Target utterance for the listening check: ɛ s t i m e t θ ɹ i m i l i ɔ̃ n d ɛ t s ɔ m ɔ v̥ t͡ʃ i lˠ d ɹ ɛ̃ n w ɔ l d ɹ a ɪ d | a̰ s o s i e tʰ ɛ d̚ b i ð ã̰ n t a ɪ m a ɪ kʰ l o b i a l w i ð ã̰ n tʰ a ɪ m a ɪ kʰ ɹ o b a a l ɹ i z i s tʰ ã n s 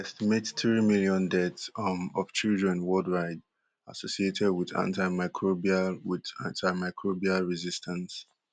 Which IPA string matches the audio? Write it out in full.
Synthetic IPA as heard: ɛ s t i m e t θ ɹ i m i l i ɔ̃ n d ɛ t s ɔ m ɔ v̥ t͡ʃ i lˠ d ɹ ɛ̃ n w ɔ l d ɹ a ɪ d | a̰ s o s i e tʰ ɛ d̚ w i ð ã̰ n t a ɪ m a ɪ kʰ ɹ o b i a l w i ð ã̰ n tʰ a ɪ m a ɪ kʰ ɹ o b i a l ɹ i z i s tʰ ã n s